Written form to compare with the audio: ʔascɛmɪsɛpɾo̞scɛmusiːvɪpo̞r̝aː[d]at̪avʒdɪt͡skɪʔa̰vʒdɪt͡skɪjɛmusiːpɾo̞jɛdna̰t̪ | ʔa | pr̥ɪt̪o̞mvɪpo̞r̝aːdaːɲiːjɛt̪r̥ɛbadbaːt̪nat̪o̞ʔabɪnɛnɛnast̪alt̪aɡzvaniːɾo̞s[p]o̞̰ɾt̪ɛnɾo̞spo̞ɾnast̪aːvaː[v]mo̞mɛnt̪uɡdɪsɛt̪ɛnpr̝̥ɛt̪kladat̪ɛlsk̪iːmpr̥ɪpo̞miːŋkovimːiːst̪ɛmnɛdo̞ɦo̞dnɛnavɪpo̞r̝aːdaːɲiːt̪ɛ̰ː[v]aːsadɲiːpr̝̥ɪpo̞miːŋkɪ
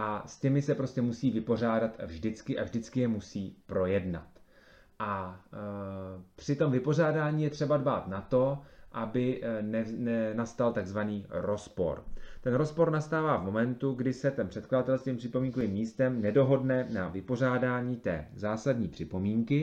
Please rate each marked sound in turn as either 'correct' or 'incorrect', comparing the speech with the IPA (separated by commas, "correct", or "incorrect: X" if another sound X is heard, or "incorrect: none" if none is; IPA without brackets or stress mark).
correct, correct, correct, incorrect: z